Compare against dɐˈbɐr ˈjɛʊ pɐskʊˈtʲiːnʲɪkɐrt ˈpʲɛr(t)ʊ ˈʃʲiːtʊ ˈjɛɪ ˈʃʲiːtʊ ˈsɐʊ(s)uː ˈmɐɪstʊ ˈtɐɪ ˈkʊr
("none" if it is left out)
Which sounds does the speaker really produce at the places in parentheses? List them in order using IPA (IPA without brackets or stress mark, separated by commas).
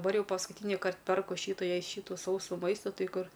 k, s